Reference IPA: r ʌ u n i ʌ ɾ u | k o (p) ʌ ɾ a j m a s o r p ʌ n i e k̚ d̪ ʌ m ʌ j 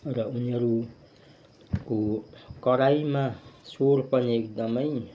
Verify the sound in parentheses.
incorrect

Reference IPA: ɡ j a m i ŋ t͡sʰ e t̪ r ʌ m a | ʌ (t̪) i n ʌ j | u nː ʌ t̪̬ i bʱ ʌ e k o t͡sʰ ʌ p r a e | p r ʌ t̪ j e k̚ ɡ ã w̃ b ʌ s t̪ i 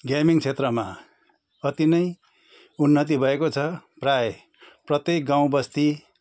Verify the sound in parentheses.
correct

